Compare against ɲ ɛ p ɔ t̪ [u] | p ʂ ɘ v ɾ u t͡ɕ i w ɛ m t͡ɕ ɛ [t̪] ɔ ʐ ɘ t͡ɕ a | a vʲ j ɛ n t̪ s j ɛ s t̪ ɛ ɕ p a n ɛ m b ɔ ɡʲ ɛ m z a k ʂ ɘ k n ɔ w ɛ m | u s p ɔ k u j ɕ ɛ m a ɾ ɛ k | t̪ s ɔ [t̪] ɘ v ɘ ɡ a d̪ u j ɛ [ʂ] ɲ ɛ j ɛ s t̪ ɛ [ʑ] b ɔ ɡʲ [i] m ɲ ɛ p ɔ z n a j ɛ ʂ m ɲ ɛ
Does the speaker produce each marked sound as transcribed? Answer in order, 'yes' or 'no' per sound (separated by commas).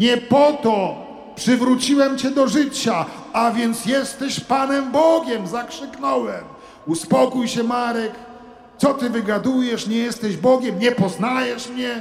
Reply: no, no, yes, yes, yes, no